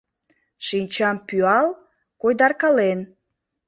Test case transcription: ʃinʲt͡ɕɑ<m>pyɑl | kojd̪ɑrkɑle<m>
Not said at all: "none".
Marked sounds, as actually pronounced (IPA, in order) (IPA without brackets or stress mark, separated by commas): m, n